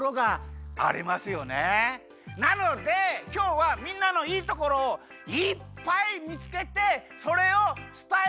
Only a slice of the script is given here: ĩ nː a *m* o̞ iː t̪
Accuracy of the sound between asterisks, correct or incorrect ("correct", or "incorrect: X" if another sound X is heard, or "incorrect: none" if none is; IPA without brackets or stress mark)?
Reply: incorrect: n